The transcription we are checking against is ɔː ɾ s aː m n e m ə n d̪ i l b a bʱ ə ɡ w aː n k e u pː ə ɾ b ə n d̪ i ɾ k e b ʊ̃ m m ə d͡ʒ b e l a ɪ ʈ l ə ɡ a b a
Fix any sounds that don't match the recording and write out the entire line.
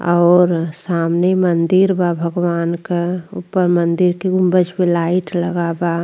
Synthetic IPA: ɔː ɾ s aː m n e m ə n d̪ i ɾ b a bʱ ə ɡ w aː n k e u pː ə ɾ m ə n d̪ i ɾ k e ɡ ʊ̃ m b ə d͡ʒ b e l a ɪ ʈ l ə ɡ a b a